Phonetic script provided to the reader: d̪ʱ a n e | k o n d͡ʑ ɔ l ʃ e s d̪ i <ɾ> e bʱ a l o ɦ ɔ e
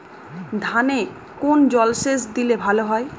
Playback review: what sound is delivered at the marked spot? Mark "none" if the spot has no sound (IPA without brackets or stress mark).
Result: l